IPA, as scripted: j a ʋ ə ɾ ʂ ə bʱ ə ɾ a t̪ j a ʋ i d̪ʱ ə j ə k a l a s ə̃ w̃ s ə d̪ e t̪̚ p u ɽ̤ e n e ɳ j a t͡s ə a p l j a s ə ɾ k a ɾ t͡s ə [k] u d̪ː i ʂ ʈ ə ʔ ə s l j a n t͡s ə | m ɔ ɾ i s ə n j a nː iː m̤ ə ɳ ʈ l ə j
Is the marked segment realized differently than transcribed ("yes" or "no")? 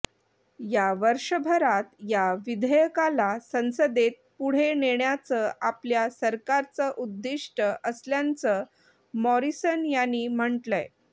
yes